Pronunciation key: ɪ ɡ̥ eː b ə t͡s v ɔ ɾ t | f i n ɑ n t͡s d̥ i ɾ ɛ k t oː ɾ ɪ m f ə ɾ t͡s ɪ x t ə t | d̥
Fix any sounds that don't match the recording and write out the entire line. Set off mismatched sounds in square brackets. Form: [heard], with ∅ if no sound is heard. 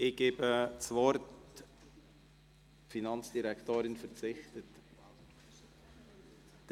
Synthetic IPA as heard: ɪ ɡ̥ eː b ə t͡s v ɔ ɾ t | f i n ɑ n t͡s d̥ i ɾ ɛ k t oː ɾ ɪ [n] f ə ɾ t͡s ɪ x t ə t | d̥

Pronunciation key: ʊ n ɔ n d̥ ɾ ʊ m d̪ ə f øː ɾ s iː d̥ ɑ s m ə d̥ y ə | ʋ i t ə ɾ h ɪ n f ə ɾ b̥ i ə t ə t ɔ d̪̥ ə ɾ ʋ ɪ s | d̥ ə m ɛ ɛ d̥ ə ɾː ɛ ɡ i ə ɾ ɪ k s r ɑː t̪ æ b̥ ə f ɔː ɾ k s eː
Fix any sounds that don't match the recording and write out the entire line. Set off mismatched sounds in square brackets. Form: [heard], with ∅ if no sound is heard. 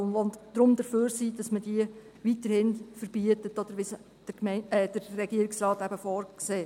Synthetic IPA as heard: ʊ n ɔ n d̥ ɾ ʊ m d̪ ə f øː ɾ s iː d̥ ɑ s m ə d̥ [i] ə | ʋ i t ə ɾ h ɪ n f ə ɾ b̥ i ə t ə t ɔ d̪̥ ə ɾ ʋ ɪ s | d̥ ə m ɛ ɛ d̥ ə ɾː ɛ ɡ i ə ɾ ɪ k s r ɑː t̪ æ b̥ ə f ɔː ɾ k s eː

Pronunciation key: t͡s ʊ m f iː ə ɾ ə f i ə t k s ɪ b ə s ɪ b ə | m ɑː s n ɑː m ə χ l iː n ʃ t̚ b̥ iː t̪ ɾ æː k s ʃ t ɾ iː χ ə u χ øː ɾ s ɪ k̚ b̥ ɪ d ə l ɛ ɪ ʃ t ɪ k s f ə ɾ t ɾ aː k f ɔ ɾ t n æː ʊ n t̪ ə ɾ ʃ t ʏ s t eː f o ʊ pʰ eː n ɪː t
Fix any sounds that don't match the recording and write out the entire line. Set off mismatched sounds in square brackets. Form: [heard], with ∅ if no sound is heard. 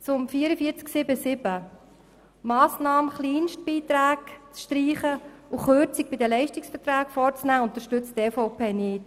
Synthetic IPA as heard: t͡s ʊ m f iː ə ɾ ə f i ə [t͡s] k s ɪ b ə s ɪ b ə | m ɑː s n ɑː m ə χ l iː n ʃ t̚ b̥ iː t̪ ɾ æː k [t͡s] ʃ t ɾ iː χ ə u χ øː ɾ [t͡s] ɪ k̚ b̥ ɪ d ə l ɛ ɪ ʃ t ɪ k s f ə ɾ t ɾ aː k f ɔ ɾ [t͡s] n æː ʊ n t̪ ə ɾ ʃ t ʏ [t͡s] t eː f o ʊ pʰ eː n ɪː t

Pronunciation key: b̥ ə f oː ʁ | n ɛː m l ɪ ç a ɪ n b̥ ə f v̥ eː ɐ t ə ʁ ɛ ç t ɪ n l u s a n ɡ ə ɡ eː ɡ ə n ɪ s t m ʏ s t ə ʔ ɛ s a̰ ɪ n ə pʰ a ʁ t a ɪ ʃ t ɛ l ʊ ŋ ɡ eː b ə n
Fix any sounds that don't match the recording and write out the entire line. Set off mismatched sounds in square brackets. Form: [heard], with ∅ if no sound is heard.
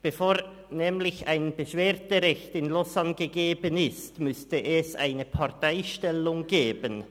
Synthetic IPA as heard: b̥ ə f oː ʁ | n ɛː m l ɪ ç a ɪ n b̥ ə [ʃ] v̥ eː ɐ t ə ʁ ɛ ç t ɪ n l [ɔ] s a n ɡ ə ɡ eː [b] ə n ɪ s t m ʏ s t ə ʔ ɛ s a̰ ɪ n ə pʰ a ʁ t a ɪ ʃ t ɛ l ʊ ŋ ɡ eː b ə n

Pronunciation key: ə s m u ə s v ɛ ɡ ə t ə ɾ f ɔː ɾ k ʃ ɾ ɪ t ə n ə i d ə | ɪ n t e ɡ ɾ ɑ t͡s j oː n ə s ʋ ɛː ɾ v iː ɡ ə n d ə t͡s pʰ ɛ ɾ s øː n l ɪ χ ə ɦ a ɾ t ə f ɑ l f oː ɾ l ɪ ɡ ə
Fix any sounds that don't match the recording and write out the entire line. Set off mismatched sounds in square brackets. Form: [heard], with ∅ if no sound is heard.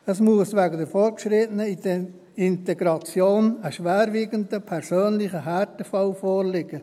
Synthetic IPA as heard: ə s m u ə s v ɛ ɡ ə [d] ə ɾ f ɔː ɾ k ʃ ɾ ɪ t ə n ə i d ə | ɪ n t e ɡ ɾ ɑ t͡s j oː n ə [ʃ] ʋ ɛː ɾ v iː ɡ ə n d ə [∅] pʰ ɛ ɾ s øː n l ɪ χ ə ɦ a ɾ t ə f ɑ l f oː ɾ l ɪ ɡ ə

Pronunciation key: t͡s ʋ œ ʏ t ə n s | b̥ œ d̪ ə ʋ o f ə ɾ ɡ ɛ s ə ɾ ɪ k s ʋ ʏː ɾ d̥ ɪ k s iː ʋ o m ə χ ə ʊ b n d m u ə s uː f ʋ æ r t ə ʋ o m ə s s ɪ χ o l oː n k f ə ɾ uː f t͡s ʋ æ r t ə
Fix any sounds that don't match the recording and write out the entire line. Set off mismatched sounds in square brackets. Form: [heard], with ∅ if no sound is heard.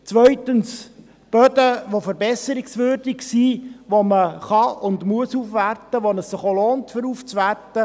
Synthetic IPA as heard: t͡s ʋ œ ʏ t ə n s | b̥ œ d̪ ə ʋ o f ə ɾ [b] ɛ s ə ɾ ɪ k s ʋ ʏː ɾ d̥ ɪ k s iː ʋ o m ə χ [ɑ] ʊ [∅] n d m u ə s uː f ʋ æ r t ə ʋ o [n] ə s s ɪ χ o l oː n [t] f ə ɾ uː f t͡s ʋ æ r t ə

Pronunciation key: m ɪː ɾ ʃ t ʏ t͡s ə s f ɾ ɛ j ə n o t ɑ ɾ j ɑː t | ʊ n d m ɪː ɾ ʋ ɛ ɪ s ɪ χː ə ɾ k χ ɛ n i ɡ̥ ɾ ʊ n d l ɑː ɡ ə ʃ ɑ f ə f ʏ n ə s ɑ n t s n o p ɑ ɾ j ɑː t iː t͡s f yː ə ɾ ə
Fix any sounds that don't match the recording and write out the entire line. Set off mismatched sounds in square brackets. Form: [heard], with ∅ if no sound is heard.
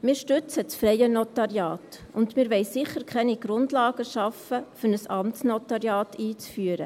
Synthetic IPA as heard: m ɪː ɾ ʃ t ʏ t͡s ə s f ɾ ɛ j ə n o t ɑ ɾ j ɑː t | ʊ n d m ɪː ɾ ʋ ɛ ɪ s ɪ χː ə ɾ k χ ɛ n i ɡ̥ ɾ ʊ n d l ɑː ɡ ə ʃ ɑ f ə f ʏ n ə s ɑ [m] t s n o [t] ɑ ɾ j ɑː t iː t͡s f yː ə ɾ ə

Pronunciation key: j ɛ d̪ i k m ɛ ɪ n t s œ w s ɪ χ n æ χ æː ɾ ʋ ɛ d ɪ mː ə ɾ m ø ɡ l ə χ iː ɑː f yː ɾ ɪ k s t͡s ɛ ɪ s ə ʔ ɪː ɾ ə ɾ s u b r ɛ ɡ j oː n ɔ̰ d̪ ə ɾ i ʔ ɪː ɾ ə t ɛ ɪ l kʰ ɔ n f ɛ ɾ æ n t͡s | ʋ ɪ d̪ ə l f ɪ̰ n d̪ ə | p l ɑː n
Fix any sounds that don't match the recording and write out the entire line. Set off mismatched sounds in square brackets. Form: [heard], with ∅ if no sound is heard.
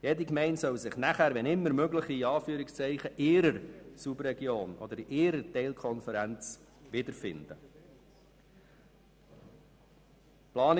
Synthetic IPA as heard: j ɛ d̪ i k m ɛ ɪ n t s œ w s ɪ χ n æ χ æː ɾ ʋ ɛ [n] ɪ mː ə ɾ m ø ɡ l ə χ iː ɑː f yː ɾ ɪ k s t͡s ɛ ɪ [χ] ə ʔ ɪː ɾ ə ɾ s u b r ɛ ɡ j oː n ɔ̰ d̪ ə ɾ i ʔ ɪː ɾ ə t ɛ ɪ l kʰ ɔ n f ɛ ɾ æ n t͡s | ʋ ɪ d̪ ə [ɾ] f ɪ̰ n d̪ ə | p l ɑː n

